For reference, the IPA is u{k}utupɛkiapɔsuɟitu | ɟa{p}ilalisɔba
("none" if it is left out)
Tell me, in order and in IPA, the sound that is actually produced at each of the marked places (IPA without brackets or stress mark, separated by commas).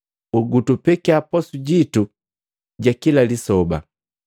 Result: ɡ, k